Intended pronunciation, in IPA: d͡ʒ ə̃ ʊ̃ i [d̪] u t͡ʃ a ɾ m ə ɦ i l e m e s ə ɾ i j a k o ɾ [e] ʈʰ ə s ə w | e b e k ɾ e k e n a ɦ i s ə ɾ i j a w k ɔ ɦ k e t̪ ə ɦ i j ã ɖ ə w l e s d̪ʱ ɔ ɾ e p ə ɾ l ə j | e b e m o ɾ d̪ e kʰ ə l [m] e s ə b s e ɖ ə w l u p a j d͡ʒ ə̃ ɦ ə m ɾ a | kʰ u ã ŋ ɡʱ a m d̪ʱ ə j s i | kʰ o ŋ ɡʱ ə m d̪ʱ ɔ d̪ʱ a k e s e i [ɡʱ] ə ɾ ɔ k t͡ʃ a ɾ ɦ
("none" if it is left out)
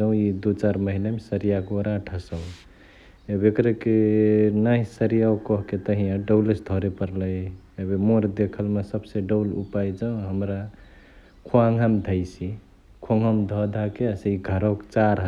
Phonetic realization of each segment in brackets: d̪, a, m, ɡʱ

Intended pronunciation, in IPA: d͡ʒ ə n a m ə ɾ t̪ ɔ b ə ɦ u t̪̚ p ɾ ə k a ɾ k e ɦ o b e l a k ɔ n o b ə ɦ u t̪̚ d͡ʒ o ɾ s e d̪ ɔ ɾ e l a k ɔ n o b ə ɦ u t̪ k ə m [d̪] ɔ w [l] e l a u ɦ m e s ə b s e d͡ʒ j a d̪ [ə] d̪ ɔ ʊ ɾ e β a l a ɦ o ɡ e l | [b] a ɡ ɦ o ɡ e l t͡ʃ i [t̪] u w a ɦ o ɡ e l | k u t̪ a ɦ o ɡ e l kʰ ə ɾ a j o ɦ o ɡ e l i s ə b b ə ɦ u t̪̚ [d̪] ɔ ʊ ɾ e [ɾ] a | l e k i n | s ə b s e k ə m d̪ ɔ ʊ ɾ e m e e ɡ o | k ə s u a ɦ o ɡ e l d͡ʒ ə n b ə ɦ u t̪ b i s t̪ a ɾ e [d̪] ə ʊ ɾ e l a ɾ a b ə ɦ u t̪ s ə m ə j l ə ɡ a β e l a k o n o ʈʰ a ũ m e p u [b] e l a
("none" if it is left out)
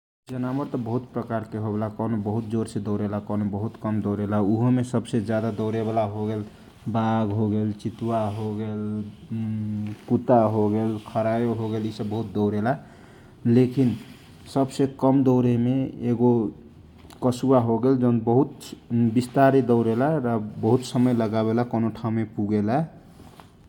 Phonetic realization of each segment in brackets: d̪, ɾ, a, b, t̪, d̪, l, d̪, ɡ

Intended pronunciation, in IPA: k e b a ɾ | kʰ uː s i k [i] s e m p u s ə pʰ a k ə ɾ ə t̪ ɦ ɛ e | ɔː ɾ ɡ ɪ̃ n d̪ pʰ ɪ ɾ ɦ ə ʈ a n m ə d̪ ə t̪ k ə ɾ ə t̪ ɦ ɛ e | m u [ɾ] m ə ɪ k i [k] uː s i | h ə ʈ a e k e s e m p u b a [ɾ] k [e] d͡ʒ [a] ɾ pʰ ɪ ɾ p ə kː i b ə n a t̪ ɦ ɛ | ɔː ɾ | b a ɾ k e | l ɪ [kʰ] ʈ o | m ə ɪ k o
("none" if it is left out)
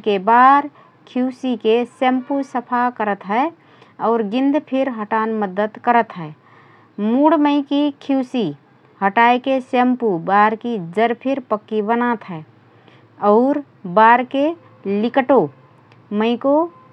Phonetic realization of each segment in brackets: e, ɽ, kʰ, ɾ, i, ə, k

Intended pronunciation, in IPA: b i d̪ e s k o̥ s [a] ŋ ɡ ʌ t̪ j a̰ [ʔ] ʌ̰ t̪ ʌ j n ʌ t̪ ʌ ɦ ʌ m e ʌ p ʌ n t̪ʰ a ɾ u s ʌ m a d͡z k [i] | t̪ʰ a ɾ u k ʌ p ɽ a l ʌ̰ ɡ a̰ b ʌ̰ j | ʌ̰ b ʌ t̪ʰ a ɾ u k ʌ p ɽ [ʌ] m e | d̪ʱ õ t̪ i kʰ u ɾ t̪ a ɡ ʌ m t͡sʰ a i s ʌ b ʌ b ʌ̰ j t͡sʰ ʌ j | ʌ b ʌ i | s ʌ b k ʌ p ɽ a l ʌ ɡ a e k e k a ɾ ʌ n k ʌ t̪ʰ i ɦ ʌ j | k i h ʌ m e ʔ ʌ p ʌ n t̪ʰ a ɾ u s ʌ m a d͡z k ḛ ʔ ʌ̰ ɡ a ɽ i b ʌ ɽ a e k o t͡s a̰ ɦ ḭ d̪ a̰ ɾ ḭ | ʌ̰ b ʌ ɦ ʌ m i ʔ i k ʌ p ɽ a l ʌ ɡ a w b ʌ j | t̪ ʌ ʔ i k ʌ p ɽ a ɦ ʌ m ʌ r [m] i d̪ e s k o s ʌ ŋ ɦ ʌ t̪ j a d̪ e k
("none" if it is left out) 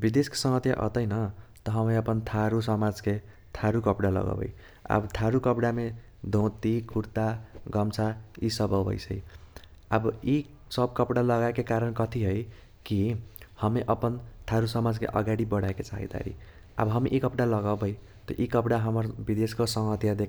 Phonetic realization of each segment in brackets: ʌ, ʔ, e, a, b

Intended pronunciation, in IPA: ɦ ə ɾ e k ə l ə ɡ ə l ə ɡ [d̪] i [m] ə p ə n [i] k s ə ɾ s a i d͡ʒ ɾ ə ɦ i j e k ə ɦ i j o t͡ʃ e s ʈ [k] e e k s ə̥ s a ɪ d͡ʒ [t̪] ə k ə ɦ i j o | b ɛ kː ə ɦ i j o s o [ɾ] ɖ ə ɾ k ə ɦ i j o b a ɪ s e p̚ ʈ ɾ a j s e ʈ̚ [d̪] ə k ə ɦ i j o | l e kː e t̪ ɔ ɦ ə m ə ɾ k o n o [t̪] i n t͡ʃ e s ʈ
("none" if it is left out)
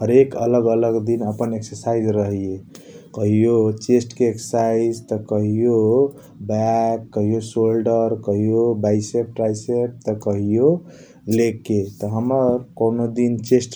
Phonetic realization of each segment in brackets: d̪, n, e, k, t̪, l, t̪, d̪

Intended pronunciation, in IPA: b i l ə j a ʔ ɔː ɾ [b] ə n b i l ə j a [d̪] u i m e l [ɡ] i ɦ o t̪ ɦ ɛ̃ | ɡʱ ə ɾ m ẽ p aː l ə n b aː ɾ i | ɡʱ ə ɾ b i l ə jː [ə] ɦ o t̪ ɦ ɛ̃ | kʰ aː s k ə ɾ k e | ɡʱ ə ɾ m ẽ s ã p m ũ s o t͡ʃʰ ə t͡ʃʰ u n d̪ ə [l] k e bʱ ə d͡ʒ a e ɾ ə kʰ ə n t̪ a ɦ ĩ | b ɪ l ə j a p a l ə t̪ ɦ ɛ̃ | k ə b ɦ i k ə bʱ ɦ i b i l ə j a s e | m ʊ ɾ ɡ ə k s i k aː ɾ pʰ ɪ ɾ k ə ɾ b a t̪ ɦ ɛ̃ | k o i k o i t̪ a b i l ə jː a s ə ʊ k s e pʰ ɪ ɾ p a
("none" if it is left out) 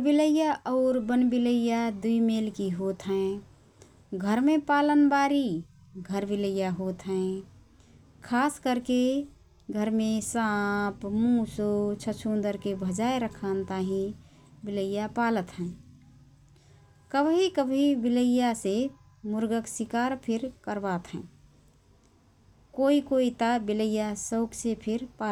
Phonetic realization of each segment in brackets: b, d̪, k, a, ɾ

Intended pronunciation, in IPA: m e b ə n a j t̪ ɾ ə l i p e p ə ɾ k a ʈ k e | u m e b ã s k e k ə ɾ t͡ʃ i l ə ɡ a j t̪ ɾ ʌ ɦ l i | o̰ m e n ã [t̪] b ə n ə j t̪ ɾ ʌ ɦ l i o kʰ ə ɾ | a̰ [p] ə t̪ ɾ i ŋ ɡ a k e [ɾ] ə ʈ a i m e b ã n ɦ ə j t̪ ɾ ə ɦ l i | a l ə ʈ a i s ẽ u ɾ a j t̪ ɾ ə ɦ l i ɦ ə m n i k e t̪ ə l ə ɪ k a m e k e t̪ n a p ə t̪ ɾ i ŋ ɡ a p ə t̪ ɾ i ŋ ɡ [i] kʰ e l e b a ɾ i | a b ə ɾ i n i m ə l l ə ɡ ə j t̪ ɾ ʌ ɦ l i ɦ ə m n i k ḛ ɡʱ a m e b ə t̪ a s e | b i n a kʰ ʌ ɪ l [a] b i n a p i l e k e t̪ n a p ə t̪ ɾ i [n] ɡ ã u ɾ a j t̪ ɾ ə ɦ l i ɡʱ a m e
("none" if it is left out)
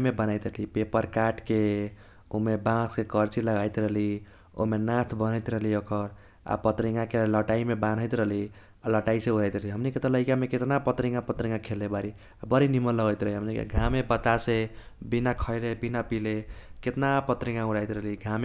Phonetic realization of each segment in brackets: t̪ʰ, p, l, a, e, ŋ

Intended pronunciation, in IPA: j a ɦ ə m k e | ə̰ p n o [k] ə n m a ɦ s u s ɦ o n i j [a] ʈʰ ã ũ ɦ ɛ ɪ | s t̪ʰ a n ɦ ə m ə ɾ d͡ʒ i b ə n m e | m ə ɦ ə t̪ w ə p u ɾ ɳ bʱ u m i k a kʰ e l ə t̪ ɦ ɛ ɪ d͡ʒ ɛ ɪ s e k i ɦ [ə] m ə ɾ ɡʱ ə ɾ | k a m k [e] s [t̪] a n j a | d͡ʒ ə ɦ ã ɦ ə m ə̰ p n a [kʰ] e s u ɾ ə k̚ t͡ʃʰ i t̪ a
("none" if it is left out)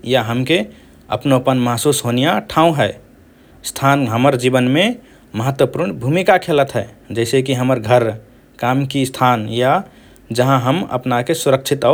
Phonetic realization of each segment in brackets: p, a, ə, i, t̪ʰ, k

